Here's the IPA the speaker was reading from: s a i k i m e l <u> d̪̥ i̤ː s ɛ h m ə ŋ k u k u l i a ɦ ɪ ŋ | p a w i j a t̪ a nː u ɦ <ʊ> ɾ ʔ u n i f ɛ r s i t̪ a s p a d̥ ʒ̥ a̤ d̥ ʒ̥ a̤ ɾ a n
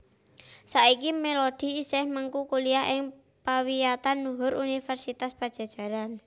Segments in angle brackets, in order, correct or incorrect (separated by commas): incorrect, correct